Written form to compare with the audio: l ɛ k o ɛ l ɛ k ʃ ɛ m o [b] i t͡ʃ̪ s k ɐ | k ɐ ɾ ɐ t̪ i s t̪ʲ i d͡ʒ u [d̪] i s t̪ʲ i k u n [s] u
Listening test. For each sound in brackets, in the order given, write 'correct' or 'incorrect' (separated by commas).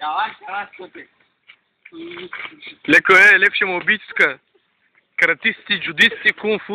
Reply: correct, correct, incorrect